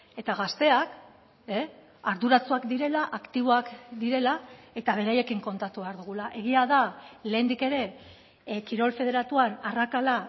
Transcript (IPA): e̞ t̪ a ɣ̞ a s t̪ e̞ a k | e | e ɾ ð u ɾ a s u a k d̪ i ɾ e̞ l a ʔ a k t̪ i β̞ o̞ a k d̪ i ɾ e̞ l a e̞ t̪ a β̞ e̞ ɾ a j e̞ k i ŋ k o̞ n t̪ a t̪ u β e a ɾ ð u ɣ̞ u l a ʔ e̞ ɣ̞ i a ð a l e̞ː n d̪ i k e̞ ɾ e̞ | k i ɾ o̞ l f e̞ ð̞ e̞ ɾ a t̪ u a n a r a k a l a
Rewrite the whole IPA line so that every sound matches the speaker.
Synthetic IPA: e̞ t̪ a ɣ̞ a s t̪ e̞ a k | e | a ɾ ð u ɾ a t͡s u a k d̪ i ɾ e̞ l a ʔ a k t̪ i β̞ o̞ a k d̪ i ɾ e̞ l a e̞ t̪ a β̞ e̞ ɾ a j e̞ k i ŋ k o̞ n t̪ a t̪ u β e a ɾ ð u ɣ̞ u l a ʔ e̞ ɣ̞ i a ð a l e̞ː n d̪ i k e̞ ɾ e̞ | k i ɾ o̞ l f e̞ ð̞ e̞ ɾ a t̪ u a n a r a k a l a